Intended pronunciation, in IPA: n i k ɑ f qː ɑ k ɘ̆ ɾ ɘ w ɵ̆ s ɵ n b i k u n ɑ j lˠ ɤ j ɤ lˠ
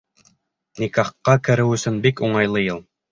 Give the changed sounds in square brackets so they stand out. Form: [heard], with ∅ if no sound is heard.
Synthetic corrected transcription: n i k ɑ [χ] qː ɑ k ɘ̆ ɾ ɘ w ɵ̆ s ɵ n b i k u [ɴ] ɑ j lˠ ɤ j ɤ lˠ